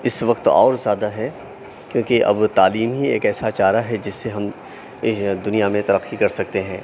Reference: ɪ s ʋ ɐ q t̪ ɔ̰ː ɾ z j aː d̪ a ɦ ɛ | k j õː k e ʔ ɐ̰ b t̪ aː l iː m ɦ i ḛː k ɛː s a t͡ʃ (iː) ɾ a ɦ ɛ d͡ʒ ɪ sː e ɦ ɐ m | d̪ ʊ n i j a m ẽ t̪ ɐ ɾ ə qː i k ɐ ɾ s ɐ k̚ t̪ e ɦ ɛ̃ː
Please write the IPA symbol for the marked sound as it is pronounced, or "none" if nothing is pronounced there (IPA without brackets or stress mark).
aː